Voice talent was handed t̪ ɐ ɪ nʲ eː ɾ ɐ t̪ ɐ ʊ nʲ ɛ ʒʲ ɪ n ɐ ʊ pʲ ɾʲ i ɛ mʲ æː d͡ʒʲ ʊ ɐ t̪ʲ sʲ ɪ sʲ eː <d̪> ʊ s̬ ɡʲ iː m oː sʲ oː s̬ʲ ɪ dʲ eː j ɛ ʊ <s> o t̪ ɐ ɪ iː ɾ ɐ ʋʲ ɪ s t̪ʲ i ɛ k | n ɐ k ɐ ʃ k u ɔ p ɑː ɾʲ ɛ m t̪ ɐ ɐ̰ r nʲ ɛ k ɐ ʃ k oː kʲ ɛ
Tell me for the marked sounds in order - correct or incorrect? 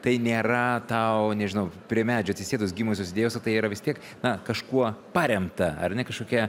correct, correct

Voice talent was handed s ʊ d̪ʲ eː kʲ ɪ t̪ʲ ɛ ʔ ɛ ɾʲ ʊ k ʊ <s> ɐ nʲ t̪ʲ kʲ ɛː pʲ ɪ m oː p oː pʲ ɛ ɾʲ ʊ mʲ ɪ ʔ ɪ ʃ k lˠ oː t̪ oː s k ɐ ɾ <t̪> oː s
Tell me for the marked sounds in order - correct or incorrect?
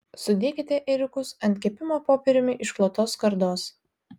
correct, incorrect: d̪

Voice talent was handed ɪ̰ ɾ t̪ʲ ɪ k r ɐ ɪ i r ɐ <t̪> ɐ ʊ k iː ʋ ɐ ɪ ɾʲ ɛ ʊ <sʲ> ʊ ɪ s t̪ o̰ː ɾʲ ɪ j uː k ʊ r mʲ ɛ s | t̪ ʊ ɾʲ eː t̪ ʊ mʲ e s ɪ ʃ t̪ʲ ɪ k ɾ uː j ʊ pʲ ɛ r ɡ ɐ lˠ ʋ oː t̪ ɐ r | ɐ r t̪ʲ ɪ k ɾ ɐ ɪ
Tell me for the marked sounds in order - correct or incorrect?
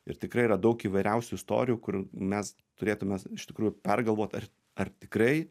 incorrect: d̪, correct

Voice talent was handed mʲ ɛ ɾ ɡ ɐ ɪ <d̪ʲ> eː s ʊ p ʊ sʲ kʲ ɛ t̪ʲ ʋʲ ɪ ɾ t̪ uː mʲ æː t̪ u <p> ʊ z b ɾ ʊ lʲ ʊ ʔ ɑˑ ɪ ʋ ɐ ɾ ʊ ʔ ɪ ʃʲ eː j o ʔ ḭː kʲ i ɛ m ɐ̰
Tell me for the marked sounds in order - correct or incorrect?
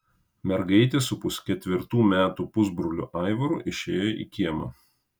incorrect: t̪ʲ, correct

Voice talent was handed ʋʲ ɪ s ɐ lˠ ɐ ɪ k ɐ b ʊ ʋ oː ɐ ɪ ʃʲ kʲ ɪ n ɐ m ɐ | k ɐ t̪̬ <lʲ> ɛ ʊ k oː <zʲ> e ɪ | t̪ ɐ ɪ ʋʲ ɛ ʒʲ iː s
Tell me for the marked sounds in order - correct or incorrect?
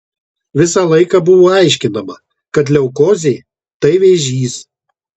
correct, correct

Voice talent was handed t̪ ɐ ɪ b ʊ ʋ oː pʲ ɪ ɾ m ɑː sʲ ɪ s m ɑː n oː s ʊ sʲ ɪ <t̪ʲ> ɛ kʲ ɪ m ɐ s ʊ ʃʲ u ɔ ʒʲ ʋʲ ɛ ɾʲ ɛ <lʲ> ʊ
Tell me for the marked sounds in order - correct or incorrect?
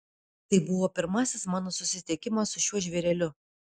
correct, correct

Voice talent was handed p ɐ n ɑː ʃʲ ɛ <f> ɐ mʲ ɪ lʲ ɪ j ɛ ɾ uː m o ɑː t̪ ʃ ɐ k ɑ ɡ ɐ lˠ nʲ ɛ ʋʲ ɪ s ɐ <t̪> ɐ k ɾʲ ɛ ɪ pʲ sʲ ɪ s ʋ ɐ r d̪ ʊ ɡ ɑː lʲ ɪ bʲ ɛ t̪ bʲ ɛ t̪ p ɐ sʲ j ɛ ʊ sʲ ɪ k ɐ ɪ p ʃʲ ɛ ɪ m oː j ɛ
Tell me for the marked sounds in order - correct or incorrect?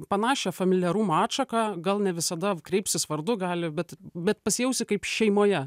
correct, incorrect: d̪

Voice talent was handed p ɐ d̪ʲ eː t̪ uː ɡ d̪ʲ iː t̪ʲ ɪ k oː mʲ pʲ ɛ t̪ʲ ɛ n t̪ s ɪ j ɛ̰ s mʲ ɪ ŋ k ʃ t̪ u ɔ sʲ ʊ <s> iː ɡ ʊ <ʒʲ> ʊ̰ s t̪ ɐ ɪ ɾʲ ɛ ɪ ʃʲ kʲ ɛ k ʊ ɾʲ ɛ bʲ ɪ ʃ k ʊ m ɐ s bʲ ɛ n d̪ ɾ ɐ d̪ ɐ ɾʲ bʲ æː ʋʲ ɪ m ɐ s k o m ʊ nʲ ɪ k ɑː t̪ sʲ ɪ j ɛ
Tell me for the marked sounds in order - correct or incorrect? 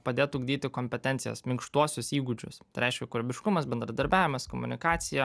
correct, incorrect: d͡ʒʲ

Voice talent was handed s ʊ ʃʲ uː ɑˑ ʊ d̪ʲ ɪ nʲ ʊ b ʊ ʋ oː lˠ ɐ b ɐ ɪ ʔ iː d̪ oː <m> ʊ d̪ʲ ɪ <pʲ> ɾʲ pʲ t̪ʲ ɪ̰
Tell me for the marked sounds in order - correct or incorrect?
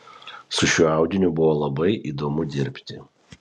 correct, incorrect: none

